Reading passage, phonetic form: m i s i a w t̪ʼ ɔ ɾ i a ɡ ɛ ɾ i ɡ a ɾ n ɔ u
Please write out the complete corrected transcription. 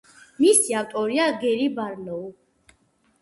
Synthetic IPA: m i s i a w t̪ʼ ɔ ɾ i a ɡ ɛ ɾ i b a ɾ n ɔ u